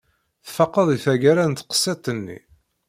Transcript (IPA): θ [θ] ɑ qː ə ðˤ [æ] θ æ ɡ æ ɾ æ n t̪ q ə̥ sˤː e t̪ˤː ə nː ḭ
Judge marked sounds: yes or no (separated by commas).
no, no